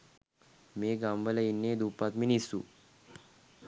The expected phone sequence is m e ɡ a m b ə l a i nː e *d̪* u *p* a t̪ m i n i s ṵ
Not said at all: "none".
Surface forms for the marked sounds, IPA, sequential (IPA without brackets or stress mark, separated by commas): d̪, p